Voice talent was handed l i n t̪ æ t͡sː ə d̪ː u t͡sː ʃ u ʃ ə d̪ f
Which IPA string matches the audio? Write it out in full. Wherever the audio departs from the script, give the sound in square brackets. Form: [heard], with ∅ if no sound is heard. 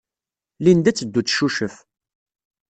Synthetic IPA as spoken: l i n [d̪] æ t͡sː ə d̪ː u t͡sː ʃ u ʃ ə [∅] f